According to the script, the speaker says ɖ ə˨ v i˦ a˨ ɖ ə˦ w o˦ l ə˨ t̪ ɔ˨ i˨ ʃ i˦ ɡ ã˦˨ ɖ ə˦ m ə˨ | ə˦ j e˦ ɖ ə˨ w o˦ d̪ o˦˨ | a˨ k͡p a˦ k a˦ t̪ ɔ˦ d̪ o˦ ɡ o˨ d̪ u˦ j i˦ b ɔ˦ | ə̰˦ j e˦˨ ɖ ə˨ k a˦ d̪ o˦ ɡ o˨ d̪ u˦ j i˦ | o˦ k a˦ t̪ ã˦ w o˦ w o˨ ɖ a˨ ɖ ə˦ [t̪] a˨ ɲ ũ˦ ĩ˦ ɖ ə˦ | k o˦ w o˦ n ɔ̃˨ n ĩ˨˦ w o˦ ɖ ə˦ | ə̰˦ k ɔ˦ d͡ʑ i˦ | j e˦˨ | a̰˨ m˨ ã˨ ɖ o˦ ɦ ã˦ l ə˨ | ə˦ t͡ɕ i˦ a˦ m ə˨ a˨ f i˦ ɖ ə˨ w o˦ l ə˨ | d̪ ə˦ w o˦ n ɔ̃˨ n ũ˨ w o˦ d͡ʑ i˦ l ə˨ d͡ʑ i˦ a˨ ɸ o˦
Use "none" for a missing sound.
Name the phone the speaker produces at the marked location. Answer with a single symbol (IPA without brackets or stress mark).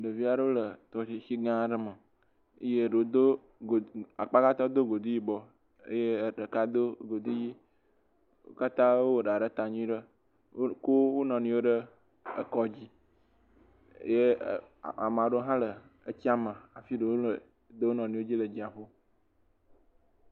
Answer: t̪